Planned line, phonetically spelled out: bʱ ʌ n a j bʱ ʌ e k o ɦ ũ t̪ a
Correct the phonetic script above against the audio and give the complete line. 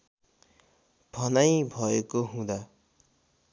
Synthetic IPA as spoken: bʱ ʌ n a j bʱ ʌ e k o ɦ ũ d̪ a